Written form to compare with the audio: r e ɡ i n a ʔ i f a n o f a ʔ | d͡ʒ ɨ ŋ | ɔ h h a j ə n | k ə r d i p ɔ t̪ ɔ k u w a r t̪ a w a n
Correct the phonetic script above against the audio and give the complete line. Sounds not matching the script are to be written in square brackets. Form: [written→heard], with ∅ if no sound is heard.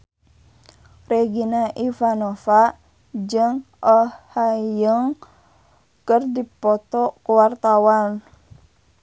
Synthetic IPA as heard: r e ɡ i n a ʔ i f a n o f a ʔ | d͡ʒ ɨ ŋ | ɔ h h a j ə [n→ŋ] | k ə r d i p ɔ t̪ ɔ k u w a r t̪ a w a n